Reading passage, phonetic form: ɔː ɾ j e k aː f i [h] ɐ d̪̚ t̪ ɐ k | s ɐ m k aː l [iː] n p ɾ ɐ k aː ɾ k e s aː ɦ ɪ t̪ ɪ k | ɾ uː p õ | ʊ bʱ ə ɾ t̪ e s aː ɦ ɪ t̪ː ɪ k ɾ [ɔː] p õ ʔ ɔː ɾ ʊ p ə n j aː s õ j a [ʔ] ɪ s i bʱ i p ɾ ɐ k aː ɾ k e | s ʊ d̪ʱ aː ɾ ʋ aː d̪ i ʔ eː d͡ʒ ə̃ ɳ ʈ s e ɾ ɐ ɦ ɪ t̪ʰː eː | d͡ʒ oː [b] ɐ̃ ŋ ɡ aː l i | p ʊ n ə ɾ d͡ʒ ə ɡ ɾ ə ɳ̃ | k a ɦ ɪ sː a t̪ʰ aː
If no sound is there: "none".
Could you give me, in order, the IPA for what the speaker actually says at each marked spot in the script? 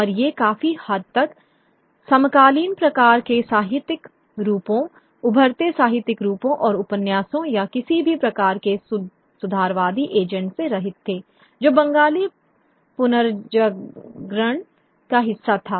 h, iː, uː, k, b

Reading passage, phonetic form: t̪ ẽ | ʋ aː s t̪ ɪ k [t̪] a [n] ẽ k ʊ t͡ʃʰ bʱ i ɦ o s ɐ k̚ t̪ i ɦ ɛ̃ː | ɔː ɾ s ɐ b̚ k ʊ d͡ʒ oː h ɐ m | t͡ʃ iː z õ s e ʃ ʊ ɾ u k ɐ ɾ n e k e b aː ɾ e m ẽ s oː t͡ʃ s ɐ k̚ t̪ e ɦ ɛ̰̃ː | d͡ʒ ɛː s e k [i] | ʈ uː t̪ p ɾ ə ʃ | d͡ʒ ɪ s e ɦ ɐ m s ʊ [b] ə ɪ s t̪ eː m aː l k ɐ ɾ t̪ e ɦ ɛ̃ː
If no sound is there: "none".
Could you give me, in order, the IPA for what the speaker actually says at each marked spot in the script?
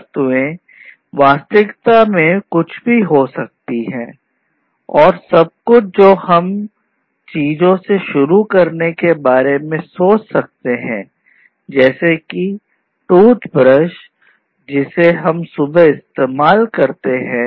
t̪, m, i, b

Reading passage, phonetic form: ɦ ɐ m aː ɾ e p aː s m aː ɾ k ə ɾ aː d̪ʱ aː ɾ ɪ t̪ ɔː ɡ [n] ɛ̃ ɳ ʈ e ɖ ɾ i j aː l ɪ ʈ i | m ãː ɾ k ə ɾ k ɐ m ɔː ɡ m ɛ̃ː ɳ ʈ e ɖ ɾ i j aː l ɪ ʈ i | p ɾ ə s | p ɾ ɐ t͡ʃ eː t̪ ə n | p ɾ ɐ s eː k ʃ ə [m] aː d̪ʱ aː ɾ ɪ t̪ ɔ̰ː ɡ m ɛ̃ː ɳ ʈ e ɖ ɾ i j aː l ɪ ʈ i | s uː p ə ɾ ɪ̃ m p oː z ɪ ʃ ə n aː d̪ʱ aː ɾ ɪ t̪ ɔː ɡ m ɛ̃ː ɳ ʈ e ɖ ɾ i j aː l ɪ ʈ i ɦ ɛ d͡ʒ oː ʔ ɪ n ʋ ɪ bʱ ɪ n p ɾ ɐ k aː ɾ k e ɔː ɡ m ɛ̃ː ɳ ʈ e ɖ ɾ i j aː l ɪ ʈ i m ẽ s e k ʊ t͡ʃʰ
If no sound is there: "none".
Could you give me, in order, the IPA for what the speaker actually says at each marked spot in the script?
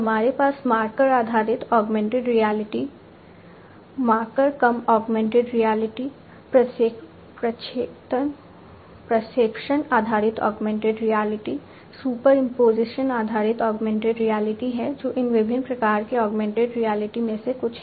m, n

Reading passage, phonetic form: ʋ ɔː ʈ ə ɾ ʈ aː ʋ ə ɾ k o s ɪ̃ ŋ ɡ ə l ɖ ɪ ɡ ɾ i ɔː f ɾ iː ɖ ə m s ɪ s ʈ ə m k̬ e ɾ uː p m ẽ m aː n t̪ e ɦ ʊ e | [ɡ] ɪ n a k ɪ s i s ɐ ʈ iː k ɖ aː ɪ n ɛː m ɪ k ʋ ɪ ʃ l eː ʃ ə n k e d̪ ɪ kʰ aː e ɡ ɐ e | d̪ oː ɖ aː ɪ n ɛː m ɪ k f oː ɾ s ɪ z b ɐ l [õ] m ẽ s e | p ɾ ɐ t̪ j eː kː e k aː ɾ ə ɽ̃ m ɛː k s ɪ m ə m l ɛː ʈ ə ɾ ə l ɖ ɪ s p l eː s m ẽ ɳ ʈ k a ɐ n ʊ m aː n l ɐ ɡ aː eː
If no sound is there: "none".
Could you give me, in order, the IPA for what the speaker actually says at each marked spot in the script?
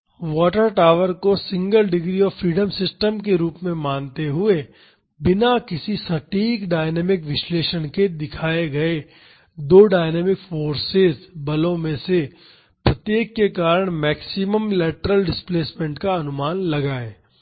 b, õ

